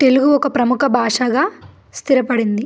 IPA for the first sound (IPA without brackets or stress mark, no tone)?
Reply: t̪